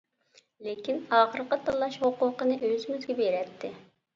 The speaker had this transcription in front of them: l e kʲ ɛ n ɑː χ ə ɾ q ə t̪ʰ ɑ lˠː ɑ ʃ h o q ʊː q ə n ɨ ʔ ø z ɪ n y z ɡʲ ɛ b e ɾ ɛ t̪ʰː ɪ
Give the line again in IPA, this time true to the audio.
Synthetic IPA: l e kʲ i n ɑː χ ə ɾ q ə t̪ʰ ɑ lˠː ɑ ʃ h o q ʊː q ə n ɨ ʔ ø z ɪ m y z ɡʲ ɛ b e ɾ ɛ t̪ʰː ɪ